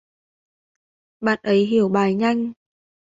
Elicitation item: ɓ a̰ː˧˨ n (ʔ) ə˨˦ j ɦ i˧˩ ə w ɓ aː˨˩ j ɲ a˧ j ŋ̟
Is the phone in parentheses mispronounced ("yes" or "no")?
no